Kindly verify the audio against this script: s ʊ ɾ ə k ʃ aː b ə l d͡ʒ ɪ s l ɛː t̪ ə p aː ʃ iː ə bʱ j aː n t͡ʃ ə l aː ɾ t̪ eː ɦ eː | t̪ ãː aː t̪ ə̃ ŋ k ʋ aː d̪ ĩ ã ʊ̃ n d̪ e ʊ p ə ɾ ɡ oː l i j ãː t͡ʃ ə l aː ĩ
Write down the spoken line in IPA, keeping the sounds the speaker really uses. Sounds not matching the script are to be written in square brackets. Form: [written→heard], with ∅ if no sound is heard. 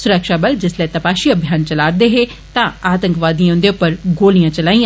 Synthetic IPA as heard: s ʊ ɾ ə k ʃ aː b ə l d͡ʒ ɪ s l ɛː t̪ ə p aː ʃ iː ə bʱ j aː n t͡ʃ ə l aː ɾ [t̪→d̪] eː ɦ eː | t̪ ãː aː t̪ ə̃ ŋ k ʋ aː d̪ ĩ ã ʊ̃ n d̪ e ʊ p ə ɾ ɡ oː l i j ãː t͡ʃ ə l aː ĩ